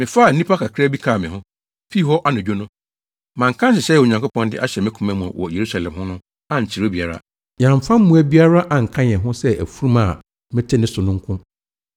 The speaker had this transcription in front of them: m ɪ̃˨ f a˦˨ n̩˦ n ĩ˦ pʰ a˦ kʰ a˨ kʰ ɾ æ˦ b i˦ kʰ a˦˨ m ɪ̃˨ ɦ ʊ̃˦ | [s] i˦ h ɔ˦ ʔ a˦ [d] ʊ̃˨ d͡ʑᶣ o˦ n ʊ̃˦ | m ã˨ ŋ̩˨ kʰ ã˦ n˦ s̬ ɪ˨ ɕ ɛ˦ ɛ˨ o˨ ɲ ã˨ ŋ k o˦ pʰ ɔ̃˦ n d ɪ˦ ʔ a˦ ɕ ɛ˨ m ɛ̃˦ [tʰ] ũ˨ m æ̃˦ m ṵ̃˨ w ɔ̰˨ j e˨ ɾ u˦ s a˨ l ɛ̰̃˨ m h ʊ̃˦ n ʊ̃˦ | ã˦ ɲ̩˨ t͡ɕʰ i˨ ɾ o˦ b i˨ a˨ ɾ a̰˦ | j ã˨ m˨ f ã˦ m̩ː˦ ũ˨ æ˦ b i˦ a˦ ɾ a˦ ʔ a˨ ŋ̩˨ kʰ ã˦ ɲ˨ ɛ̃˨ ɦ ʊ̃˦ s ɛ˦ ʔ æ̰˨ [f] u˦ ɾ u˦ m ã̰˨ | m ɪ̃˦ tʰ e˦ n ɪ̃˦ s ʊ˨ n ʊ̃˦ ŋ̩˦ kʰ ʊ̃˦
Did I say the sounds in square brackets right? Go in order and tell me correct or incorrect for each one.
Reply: incorrect: f, incorrect: n, incorrect: kʰ, correct

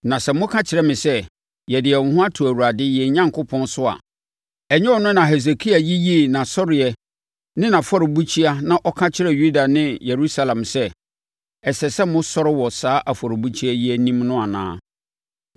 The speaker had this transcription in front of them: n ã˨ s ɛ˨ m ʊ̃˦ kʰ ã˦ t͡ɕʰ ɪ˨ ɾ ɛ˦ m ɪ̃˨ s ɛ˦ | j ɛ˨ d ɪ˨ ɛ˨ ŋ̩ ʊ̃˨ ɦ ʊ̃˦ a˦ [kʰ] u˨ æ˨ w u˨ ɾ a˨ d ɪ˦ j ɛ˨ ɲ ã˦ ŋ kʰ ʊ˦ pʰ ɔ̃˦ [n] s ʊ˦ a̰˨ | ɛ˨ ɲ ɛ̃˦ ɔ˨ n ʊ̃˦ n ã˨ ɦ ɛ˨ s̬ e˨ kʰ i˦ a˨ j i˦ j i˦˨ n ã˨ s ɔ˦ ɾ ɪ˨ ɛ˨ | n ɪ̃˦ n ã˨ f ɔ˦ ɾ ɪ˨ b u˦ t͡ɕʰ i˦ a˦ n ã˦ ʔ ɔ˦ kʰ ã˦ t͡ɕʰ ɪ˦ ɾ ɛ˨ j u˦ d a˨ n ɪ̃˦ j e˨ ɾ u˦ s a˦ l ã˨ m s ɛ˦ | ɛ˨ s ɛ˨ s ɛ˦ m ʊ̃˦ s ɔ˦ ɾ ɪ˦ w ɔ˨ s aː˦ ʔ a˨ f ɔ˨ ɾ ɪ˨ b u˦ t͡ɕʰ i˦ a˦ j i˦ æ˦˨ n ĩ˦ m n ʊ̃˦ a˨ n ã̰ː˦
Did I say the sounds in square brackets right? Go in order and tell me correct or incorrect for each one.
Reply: incorrect: tʰ, correct

